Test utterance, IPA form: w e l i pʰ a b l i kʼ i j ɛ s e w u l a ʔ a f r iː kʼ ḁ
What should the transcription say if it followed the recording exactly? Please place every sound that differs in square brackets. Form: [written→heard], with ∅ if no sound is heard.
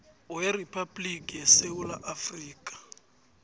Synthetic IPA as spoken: w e [l→r] i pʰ a b l i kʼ i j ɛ s e w u l a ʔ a f r iː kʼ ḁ